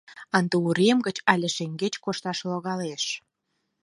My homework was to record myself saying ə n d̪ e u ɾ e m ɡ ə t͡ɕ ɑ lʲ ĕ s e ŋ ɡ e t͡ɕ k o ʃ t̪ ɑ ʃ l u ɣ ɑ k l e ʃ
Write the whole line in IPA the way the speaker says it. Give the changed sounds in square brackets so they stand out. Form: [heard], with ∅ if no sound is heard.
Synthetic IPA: [ɑ] n d̪ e u ɾ e m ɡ ə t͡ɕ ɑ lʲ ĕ [ʃ] e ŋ ɡ e t͡ɕ k o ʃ t̪ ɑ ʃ l [o] ɣ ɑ [∅] l e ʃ